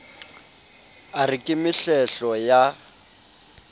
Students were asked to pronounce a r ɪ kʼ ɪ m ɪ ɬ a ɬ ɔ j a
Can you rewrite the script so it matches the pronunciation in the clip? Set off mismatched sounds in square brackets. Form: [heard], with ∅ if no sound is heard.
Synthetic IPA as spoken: a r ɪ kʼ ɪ m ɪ ɬ [ɛ] ɬ ɔ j a